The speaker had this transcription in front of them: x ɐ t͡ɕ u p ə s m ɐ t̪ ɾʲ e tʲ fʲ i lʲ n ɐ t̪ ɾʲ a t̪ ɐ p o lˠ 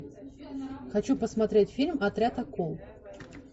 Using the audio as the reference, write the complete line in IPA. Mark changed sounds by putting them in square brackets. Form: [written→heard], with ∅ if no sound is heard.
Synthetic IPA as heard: x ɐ t͡ɕ u p ə s m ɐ t̪ ɾʲ e tʲ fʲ i lʲ [n→m] ɐ t̪ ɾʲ a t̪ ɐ [p→k] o lˠ